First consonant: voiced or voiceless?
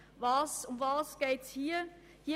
voiced